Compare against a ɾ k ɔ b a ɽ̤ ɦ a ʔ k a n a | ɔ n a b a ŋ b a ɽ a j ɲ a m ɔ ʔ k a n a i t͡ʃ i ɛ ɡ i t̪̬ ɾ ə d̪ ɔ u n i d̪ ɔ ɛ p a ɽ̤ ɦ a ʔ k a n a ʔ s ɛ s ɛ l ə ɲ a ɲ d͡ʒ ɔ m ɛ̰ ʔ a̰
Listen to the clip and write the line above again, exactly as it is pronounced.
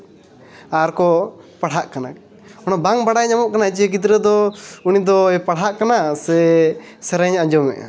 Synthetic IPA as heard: a ɾ k ɔ p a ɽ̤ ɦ a ʔ k a n a | ɔ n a b a ŋ b a ɽ a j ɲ a m ɔ ʔ k a n a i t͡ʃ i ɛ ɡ i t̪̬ ɾ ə d̪ ɔ u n i d̪ ɔ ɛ p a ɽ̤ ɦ a ʔ k a n a s ɛ s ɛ ɾ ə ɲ a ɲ d͡ʒ ɔ m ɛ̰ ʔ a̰

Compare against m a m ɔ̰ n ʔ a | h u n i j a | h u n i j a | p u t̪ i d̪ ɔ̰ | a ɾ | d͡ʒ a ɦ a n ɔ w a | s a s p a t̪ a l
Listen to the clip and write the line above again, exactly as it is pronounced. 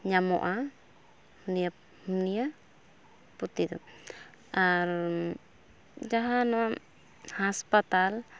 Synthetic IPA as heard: ɲ a m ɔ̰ ʔ a | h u n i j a | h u n i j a | p u t̪ i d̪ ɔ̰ | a ɾ | d͡ʒ a ɦ a n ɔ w a | h a s p a t̪ a l

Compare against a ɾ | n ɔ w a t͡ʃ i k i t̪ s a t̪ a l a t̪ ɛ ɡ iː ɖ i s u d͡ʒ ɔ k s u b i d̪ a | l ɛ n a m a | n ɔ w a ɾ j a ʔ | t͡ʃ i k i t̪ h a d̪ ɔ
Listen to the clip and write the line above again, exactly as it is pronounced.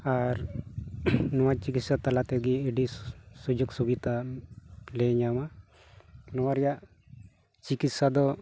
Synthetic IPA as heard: a ɾ | n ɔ w a t͡ʃ i k i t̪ s a t̪ a l a t̪ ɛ ɡ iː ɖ i s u d͡ʒ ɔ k s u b i t̪ a | l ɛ ɲ a m a | n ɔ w a ɾ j a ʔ | t͡ʃ i k i t̪ s a d̪ ɔ

